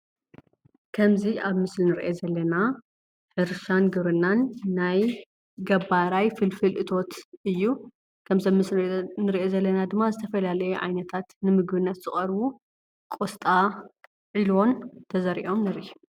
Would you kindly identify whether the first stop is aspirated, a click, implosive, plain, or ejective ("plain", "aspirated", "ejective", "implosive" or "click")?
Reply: aspirated